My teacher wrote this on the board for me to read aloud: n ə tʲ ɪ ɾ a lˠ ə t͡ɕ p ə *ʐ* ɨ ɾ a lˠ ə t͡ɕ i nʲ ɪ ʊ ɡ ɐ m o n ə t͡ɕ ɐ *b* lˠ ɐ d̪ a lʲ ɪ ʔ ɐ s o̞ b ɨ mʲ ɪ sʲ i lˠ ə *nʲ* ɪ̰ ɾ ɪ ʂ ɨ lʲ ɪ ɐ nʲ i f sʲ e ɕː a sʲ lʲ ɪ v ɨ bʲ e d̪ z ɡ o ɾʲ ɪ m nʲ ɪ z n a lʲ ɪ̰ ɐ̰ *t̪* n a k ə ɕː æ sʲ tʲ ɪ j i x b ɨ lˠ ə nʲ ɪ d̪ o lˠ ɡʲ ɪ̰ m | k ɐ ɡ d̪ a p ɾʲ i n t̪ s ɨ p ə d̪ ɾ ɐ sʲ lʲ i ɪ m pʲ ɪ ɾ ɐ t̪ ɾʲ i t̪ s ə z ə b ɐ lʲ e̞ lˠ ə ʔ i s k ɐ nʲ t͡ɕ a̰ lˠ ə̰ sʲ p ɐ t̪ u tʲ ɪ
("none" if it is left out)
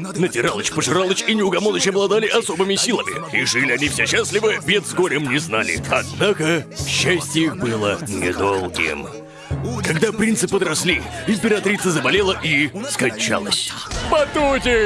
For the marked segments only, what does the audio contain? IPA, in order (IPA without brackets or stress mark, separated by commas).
ʐ, b, mʲ, d̪